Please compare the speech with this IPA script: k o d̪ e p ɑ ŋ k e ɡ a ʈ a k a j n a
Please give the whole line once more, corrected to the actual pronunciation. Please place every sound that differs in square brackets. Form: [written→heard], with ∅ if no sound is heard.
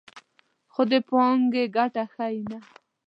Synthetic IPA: [k→x] o d̪ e p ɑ ŋ [k→ɡ] e ɡ a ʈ a [k→x] a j n a

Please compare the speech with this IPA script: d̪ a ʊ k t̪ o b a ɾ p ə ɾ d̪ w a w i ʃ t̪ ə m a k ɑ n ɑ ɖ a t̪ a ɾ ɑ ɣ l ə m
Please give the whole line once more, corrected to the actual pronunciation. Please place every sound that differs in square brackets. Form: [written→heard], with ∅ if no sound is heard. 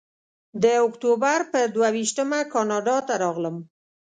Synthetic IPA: d̪ [a→ə] ʊ k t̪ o b a ɾ p ə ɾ d̪ w a w i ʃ t̪ ə m a k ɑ n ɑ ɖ [a→ɑ] t̪ a ɾ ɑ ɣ l ə m

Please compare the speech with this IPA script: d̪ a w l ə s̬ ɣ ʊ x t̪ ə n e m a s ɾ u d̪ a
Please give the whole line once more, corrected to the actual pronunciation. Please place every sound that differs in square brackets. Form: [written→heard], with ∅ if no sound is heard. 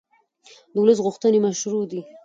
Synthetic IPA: d̪ [a→ə] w l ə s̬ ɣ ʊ x t̪ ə n e m a [s→ʃ] ɾ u d̪ [a→i]

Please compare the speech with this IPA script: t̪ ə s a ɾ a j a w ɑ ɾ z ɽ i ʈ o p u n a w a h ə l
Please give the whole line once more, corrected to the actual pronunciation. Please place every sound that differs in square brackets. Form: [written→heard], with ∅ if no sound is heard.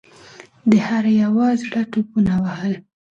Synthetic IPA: [t̪→d̪] ə [s→h] a ɾ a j a w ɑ [ɾ→∅] z ɽ [i→a] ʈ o p u n a w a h ə l

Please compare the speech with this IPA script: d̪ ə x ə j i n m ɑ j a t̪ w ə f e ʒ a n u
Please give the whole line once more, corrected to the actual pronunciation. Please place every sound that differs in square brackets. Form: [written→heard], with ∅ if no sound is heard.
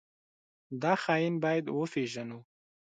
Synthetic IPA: d̪ [ə→ɑ] x [ə→ɑ] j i n [m→b] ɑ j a [t̪→d̪] w ə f e ʒ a n u

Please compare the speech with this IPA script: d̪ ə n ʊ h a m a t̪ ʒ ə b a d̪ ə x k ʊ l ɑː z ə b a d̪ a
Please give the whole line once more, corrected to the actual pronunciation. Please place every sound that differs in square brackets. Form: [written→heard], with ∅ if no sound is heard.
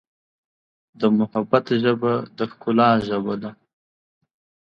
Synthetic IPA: d̪ ə [n→m] ʊ h a [m→b] a t̪ ʒ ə b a d̪ ə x k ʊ l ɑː [z→ʒ] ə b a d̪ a

